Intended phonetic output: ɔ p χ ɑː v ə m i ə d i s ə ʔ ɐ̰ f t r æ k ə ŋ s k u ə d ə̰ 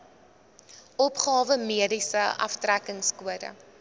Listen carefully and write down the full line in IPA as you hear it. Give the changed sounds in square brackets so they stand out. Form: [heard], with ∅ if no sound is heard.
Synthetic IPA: ɔ p χ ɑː v ə m i ə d i s ə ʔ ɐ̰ f t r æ k ə ŋ s k u ə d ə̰